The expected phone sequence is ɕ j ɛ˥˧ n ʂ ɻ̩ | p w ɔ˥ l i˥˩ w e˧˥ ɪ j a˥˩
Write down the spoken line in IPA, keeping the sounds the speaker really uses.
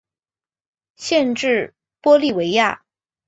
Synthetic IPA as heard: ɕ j ɛ˥˧ n ʈ͡ʂ ɻ̩ | p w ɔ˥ l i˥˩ w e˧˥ ɪ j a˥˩